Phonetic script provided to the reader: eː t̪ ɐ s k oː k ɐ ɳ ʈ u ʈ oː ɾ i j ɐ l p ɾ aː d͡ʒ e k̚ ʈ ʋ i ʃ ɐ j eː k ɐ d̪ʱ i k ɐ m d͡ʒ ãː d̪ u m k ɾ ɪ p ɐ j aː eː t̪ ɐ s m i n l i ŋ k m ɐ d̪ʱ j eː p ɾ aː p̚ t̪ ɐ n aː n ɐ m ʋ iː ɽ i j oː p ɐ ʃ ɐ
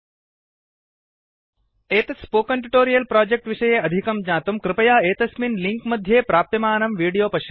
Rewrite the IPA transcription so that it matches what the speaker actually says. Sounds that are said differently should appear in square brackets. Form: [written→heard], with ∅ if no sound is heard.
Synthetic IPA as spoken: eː t̪ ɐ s [k→p] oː k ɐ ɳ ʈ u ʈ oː ɾ i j ɐ l p ɾ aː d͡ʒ e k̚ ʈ ʋ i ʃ ɐ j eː [k→∅] ɐ d̪ʱ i k ɐ m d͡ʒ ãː [d̪→t̪] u m k ɾ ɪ p ɐ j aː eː t̪ ɐ s m i n l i ŋ k m ɐ d̪ʱ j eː p ɾ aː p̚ t̪ ɐ [n→m] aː n ɐ m ʋ iː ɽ i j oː p ɐ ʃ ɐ